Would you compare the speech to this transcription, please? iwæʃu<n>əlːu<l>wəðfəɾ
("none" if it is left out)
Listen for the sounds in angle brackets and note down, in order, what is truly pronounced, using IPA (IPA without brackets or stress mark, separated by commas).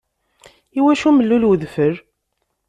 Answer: m, l